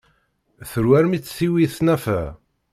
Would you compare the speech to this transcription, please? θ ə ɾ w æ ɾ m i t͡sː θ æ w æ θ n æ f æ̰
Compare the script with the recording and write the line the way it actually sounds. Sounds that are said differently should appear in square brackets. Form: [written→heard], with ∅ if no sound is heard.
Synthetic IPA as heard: θ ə ɾ w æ ɾ m i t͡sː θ [æ→i] w [æ→i] θ n æ f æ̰